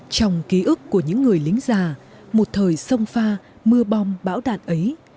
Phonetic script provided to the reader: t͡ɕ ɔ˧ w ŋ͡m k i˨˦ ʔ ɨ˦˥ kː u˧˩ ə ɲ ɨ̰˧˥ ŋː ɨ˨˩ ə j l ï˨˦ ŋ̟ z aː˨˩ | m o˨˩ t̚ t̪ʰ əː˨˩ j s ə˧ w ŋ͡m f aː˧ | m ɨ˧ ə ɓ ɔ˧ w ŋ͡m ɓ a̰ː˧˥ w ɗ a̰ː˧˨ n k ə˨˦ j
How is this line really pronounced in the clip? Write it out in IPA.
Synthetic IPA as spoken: t͡ɕ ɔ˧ w ŋ͡m k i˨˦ ʔ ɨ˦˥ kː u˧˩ ə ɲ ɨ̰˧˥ ŋː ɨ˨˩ ə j l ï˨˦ ŋ̟ z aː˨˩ | m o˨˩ t̚ t̪ʰ əː˨˩ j s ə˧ w ŋ͡m f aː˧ | m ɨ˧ ə ɓ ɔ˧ w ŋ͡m ɓ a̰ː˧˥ w ɗ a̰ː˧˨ n ʔ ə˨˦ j

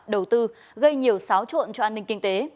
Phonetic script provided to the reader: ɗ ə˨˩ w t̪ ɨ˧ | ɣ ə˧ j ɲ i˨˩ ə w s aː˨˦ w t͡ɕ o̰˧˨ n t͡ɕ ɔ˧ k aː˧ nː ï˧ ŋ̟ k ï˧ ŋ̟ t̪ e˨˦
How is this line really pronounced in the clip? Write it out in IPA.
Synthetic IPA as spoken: ɗ ə˨˩ w t̪ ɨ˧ | ɣ ə˧ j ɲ i˨˩ ə w s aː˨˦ w t͡ɕ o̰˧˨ n t͡ɕ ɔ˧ ʔ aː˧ nː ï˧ ŋ̟ k ï˧ ŋ̟ t̪ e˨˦

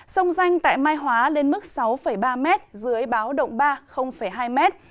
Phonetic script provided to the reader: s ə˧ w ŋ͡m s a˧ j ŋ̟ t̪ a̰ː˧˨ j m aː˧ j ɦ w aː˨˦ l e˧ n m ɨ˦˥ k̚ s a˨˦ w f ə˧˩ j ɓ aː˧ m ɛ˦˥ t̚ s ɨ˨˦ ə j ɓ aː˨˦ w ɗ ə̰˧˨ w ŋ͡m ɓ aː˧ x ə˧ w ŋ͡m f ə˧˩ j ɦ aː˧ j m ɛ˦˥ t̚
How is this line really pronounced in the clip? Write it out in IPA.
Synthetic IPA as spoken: s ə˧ w ŋ͡m z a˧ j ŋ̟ t̪ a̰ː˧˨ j m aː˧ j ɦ w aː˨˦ l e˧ n m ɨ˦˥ k̚ s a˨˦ w f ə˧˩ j ɓ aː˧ m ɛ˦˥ t̚ z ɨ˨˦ ə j ɓ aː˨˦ w ɗ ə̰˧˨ w ŋ͡m ɓ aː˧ x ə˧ w ŋ͡m f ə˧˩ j ɦ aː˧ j m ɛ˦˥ t̚

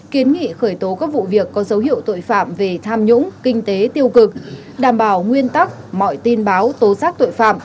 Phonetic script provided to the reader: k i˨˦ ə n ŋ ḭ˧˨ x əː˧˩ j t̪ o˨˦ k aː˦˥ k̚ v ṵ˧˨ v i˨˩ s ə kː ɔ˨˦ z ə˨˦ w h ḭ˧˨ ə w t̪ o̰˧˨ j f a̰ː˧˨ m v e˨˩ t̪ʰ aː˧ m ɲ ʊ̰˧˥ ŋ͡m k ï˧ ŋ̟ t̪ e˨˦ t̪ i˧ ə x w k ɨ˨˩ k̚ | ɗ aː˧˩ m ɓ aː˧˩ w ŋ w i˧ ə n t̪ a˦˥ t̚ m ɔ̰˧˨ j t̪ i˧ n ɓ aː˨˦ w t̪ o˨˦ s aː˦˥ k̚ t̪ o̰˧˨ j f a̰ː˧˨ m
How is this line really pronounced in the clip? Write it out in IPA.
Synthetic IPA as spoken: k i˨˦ ə n ŋ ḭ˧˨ x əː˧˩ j t̪ o˨˦ k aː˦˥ k̚ v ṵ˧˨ v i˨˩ ə kː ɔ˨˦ z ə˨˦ w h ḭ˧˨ ə w t̪ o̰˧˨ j f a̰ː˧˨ m v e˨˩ t̪ʰ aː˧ m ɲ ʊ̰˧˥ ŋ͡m k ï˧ ŋ̟ t̪ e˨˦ t̪ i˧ ə w k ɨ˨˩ k̚ | ɗ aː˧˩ m ɓ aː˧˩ w ŋ w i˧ ə n t̪ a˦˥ k̚ m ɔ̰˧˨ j t̪ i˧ n ɓ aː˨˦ w t̪ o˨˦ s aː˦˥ k̚ t̪ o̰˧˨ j f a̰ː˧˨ m

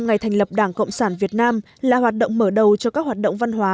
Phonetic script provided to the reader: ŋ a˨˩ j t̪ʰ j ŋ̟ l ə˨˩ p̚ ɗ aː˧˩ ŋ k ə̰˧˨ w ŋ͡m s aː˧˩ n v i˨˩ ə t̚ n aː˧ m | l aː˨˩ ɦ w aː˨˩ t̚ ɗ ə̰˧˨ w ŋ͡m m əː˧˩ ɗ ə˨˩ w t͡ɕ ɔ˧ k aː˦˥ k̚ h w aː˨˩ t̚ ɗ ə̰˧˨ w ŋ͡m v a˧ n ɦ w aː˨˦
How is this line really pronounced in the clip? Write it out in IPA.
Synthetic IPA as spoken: ŋ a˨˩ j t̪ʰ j ŋ̟ l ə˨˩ p̚ ɗ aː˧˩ ŋ k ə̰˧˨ w ŋ͡m s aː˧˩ n v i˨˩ ə t̚ n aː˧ m | l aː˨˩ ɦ w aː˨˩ t̚ ɗ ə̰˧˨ w ŋ͡m m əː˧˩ ɗ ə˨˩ w t͡ɕ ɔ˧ k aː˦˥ k̚ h w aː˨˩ t̚ ɗ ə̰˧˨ w ŋ͡m v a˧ n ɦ w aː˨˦

